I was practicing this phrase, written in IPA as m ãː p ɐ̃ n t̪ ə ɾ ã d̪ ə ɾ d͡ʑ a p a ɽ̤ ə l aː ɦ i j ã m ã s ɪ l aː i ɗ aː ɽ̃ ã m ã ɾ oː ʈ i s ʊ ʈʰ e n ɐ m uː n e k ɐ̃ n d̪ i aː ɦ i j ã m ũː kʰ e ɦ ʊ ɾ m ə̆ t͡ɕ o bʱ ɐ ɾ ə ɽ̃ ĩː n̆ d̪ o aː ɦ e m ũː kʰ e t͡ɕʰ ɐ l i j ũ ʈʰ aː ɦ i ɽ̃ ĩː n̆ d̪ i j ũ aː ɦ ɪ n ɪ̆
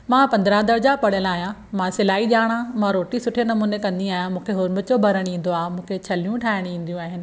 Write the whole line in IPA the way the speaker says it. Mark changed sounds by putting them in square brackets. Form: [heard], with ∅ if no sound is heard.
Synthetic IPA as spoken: m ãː p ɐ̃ n [d̪] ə ɾ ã d̪ ə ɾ d͡ʑ a p [ɐ] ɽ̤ ə l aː ɦ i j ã m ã s ɪ l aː i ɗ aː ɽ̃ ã m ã ɾ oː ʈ i s ʊ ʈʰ e n ɐ m uː n e k ɐ̃ n d̪ i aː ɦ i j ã m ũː kʰ e ɦ ʊ ɾ m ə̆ t͡ɕ o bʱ ɐ ɾ ə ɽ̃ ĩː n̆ d̪ o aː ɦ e m ũː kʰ e t͡ɕʰ ɐ l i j ũ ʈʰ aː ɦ [ɪ] ɽ̃ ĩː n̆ d̪ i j ũ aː ɦ ɪ n ɪ̆